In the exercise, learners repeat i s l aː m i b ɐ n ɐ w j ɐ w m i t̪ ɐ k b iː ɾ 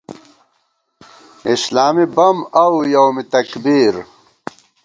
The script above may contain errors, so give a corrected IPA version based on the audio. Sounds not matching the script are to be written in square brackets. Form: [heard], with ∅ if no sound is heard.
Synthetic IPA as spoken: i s l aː m i b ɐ [m] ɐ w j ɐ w m i t̪ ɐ k b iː ɾ